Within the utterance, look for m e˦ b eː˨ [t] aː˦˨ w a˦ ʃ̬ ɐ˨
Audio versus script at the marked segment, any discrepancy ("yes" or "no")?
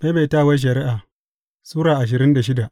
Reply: no